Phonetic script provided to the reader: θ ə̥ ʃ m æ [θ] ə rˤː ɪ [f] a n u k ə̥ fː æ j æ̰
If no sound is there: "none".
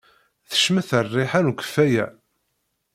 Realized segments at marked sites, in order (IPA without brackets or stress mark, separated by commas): θ, ħ